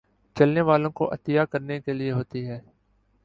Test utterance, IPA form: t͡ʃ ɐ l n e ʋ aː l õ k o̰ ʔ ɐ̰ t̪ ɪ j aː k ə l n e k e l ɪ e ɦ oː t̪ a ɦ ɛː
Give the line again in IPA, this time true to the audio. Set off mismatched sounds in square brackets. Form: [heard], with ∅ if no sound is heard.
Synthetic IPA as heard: t͡ʃ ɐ l n e ʋ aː l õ k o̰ ʔ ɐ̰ t̪ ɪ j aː k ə [ɾ] n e k e l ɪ e ɦ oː t̪ [i] ɦ ɛː